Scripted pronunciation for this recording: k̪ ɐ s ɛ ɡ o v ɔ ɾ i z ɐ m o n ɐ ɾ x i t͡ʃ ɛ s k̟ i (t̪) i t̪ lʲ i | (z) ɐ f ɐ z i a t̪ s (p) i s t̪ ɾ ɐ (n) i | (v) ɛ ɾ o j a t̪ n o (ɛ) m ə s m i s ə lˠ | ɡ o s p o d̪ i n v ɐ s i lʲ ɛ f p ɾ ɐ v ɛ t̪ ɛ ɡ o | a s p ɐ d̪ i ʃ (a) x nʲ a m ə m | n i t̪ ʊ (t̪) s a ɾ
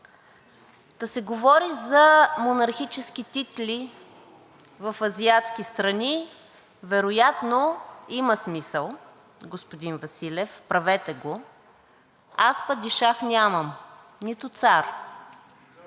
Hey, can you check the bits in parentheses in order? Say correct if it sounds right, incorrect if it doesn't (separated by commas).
correct, incorrect, incorrect, correct, correct, incorrect, correct, correct